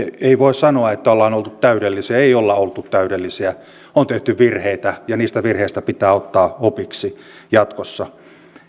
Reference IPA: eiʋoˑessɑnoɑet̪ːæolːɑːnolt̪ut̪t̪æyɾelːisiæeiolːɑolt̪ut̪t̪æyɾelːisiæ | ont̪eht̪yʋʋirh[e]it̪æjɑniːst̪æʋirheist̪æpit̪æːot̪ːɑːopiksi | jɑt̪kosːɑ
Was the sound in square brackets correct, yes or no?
yes